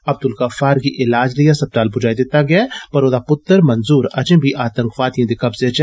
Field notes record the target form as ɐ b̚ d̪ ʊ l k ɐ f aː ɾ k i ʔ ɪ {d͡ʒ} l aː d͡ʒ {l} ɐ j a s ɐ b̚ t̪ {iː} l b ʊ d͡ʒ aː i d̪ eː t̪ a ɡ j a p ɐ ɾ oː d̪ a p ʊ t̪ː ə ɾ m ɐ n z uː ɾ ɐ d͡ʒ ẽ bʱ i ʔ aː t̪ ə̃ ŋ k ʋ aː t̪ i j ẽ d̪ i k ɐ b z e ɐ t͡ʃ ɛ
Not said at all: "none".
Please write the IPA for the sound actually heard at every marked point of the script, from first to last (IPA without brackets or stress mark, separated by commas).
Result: none, l, aː